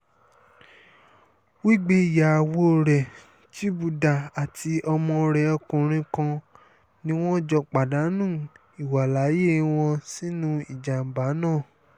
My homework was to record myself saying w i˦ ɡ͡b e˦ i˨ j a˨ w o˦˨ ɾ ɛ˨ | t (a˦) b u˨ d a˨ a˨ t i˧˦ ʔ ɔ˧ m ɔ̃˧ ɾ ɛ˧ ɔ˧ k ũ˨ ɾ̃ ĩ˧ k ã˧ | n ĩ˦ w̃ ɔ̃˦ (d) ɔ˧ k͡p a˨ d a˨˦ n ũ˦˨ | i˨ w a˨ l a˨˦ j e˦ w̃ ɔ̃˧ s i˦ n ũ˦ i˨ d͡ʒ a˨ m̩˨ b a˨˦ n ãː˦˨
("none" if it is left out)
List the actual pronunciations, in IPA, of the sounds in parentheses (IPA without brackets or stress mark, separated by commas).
i˦, d͡ʒ